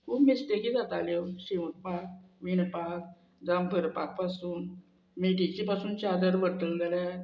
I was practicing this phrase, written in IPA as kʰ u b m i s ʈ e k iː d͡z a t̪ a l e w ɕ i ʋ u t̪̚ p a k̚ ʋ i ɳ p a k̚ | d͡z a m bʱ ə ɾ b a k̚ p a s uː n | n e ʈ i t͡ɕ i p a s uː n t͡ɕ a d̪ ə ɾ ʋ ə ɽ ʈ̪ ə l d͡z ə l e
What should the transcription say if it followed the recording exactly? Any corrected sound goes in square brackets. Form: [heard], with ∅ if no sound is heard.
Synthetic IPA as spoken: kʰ u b m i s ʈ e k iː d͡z a t̪ a l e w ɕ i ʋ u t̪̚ p a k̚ ʋ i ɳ p a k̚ | d͡z a m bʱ ə ɾ [p] a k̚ p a s uː n | [m] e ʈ i t͡ɕ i p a s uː n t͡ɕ a d̪ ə ɾ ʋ ə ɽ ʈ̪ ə l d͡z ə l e